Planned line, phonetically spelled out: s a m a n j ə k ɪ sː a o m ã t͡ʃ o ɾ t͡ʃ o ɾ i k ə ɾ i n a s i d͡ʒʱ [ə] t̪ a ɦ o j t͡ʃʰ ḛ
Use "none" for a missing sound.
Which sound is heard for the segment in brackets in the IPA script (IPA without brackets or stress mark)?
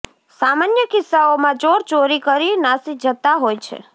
ə